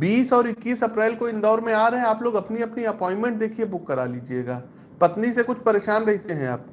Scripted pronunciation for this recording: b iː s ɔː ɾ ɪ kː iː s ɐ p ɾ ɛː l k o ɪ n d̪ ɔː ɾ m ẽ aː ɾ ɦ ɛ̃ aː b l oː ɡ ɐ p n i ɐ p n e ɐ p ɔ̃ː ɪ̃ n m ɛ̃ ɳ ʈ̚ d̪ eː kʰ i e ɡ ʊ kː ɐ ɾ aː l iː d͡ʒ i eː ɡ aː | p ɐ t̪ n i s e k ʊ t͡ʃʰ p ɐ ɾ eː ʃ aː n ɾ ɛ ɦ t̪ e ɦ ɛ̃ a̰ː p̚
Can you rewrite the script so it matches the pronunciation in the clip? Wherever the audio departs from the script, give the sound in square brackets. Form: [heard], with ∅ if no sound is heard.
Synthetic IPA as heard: b iː s ɔː ɾ ɪ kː iː s ɐ p ɾ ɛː l k o ɪ n d̪ ɔː ɾ m ẽ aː ɾ ɦ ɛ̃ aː [p] l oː ɡ ɐ p n i ɐ p n [i] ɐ p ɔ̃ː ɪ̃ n m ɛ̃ ɳ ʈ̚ d̪ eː kʰ i e [b] ʊ kː ɐ ɾ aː l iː d͡ʒ i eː ɡ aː | p ɐ t̪ n i s e k ʊ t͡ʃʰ p ɐ ɾ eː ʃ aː n ɾ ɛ ɦ t̪ e ɦ ɛ̃ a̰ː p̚

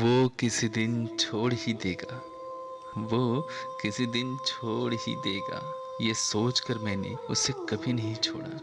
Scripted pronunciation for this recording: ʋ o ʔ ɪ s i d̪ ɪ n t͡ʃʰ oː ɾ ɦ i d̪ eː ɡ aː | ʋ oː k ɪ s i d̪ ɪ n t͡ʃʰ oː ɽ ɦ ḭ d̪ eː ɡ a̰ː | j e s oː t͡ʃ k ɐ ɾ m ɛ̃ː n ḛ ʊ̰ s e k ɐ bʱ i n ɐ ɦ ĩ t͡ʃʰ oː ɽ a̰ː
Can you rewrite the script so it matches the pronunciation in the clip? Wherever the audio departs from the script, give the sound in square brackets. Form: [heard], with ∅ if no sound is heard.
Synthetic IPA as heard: ʋ o [k] ɪ s i d̪ ɪ n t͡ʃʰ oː [ɽ] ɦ i d̪ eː ɡ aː | ʋ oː k ɪ s i d̪ ɪ n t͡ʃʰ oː ɽ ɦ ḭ d̪ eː ɡ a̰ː | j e s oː t͡ʃ k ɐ ɾ m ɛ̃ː n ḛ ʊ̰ s e k ɐ bʱ i n ɐ ɦ ĩ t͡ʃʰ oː ɽ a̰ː

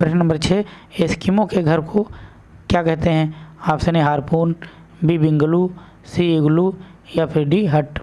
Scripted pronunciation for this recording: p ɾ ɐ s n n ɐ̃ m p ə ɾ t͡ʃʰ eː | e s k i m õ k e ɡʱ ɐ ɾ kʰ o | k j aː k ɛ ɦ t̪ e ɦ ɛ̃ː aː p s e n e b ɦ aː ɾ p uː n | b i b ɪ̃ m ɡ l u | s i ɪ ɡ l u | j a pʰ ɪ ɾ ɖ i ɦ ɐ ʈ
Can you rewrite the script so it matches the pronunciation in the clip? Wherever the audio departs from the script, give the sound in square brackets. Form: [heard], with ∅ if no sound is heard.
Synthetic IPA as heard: p ɾ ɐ [ʃ] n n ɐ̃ m [b] ə ɾ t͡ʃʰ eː | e s k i m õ k e ɡʱ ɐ ɾ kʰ o | k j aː k ɛ ɦ t̪ e ɦ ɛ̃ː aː p s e n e [∅] ɦ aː ɾ p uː n | b i b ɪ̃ [ŋ] ɡ l u | s i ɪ ɡ l u | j a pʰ ɪ ɾ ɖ i ɦ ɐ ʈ

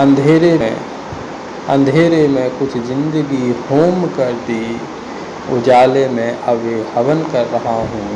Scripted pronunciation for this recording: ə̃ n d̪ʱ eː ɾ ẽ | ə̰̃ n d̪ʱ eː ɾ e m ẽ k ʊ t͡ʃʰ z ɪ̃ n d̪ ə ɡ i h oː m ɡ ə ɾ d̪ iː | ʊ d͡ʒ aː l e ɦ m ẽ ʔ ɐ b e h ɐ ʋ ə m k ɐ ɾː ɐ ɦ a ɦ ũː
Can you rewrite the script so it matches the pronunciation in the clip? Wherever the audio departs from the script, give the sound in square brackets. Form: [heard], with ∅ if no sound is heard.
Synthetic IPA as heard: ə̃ n d̪ʱ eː ɾ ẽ | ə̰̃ n d̪ʱ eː ɾ e m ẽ k ʊ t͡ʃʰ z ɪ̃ n d̪ ə ɡ i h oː m [k] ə ɾ d̪ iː | ʊ d͡ʒ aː l e [∅] m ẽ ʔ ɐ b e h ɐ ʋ ə [n] k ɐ ɾː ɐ ɦ a ɦ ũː

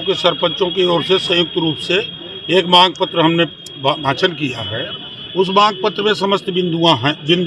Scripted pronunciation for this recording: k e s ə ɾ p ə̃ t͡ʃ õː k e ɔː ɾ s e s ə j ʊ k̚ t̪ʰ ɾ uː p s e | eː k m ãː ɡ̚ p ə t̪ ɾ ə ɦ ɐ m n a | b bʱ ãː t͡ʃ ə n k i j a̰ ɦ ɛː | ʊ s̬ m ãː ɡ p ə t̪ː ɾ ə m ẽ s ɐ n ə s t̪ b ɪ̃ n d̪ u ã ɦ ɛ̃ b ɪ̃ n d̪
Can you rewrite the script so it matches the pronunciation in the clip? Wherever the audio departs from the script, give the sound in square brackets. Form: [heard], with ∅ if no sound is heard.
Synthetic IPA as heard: k e s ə ɾ p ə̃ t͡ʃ [õ] k e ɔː ɾ s e s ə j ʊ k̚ [t̪] ɾ uː p s e | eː k m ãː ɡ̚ p ə t̪ ɾ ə ɦ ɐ m n [e] | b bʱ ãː t͡ʃ ə n k i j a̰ ɦ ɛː | ʊ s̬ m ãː ɡ p ə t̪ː ɾ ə m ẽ s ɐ [m] ə s t̪ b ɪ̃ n d̪ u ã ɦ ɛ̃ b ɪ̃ n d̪

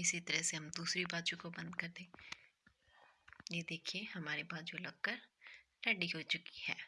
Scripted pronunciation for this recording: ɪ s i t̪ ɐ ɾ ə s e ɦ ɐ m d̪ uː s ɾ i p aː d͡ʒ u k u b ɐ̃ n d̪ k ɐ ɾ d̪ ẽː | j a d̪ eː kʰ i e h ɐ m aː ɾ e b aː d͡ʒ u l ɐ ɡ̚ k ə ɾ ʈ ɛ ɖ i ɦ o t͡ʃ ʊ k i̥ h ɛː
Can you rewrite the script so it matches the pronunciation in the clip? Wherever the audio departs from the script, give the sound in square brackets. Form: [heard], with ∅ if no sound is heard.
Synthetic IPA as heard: ɪ s i t̪ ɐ ɾ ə s e ɦ ɐ m d̪ uː s ɾ i [b] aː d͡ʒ u k [o] b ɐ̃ n d̪ k ɐ ɾ d̪ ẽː | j [e] d̪ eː kʰ i e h ɐ m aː ɾ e b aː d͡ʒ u l ɐ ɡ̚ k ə ɾ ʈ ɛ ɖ i ɦ o t͡ʃ ʊ k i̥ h ɛː

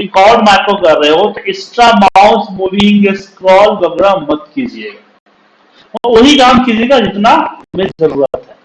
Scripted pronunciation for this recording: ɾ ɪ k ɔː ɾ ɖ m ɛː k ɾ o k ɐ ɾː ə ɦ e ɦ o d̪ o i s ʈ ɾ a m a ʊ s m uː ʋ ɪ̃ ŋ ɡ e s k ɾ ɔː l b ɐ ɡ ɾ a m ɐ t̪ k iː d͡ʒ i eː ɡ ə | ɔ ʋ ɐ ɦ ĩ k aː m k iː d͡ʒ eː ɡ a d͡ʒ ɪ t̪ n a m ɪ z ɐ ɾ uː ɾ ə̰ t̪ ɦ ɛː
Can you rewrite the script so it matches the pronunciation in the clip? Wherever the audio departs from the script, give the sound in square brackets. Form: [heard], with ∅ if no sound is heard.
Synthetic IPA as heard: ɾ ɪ k ɔː ɾ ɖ m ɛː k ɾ o k ɐ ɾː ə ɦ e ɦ o [t̪] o [ɪ] s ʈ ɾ a m a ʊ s m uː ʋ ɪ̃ ŋ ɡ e s k ɾ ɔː l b ɐ ɡ ɾ a m ɐ t̪ k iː d͡ʒ i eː ɡ [a] | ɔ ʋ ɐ ɦ [i] k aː m k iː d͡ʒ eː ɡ a d͡ʒ ɪ t̪ n a m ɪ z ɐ ɾ uː ɾ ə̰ t̪ ɦ ɛː

